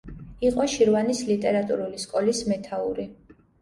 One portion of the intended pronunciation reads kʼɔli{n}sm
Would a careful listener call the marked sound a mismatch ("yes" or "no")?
yes